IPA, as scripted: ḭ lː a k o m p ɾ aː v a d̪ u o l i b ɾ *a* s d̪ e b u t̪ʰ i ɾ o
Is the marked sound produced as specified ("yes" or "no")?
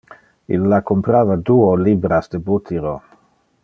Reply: yes